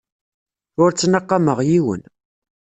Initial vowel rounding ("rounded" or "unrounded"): rounded